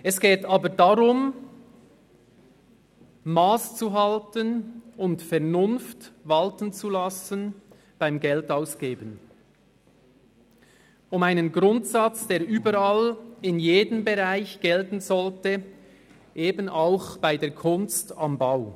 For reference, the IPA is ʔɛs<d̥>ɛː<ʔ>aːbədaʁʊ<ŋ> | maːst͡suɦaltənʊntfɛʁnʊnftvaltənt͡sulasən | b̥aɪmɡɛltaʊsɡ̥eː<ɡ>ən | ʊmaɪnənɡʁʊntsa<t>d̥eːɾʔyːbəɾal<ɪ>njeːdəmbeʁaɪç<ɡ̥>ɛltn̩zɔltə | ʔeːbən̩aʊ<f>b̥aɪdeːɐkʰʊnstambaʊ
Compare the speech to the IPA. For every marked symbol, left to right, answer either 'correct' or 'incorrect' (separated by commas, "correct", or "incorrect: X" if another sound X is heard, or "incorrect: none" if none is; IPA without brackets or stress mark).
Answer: incorrect: ɡ̥, incorrect: t, incorrect: m, incorrect: b, incorrect: t͡s, correct, correct, incorrect: x